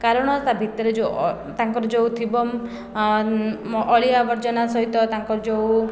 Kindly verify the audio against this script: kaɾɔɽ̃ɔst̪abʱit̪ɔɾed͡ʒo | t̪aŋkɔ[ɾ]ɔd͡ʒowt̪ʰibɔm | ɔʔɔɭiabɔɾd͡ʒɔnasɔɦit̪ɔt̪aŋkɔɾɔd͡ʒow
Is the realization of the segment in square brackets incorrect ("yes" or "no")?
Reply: no